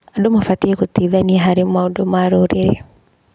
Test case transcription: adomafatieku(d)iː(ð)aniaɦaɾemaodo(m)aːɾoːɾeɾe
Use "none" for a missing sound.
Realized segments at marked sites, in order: t, ð, m

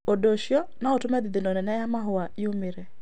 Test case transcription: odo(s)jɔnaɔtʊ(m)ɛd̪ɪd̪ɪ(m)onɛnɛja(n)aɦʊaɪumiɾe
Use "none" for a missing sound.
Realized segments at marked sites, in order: ʃ, m, n, m

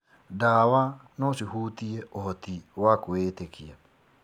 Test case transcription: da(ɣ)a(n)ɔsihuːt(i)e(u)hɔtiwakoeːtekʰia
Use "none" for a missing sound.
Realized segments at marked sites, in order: w, n, i, o

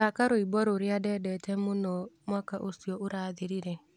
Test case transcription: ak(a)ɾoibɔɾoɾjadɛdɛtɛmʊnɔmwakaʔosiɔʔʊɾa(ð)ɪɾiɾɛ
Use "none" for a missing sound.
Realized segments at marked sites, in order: a, ð

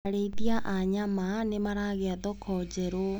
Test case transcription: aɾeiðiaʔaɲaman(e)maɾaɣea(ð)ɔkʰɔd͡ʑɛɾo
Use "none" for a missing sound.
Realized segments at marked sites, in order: e, ð

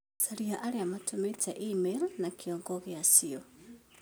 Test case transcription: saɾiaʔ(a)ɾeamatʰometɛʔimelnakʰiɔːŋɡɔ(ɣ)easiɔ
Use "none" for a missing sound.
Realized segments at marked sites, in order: a, ɣ

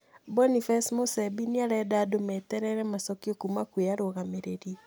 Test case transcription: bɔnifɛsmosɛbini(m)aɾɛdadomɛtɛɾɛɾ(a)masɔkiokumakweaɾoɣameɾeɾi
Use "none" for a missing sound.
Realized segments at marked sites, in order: none, ɛ

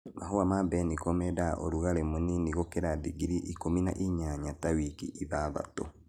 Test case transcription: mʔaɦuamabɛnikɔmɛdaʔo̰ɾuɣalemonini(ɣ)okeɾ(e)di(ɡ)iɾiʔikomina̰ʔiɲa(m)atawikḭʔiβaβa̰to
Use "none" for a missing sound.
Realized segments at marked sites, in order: ɣ, a, ɡ, ɲ

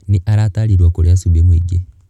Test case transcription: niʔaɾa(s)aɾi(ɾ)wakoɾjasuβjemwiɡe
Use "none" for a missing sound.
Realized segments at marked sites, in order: t, ɾ

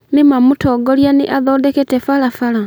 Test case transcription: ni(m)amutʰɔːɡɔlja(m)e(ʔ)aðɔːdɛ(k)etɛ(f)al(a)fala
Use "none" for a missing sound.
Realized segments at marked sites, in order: m, n, ʔ, k, f, a

